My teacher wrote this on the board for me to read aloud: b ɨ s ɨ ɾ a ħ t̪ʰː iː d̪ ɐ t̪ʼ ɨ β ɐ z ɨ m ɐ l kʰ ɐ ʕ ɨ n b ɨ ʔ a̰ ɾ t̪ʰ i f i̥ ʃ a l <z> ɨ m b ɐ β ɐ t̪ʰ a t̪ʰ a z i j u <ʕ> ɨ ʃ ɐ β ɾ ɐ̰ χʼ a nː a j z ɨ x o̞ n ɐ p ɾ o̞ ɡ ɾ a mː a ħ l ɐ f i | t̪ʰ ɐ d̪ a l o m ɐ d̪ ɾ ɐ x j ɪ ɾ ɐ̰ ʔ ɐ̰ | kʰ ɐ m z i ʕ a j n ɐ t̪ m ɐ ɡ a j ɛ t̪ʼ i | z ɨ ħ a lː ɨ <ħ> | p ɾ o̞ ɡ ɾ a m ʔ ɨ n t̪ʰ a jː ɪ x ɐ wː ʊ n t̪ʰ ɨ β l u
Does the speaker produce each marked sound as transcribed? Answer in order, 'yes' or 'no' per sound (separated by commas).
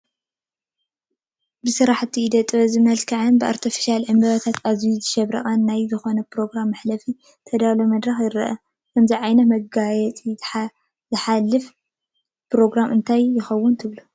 no, no, no